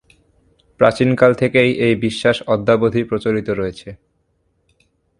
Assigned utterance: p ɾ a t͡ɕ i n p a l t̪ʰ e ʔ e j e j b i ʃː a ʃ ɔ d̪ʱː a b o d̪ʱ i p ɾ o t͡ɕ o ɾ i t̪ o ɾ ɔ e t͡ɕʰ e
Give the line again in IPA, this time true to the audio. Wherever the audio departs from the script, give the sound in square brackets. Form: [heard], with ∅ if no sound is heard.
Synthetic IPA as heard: p ɾ a t͡ɕ i n [k] a l t̪ʰ e [k] e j e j b i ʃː a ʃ ɔ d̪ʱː a b o d̪ʱ i p ɾ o t͡ɕ o ɾ i t̪ o ɾ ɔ e t͡ɕʰ e